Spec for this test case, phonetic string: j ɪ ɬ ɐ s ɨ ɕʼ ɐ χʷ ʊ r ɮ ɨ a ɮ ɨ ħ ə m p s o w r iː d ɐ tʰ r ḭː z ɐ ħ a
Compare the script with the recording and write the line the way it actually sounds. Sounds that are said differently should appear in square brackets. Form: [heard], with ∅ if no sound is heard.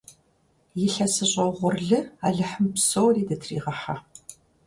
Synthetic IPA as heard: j ɪ ɬ ɐ s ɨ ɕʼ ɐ [ʁʷ] ʊ r ɮ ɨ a ɮ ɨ ħ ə m p s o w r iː d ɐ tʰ r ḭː [ʁ] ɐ ħ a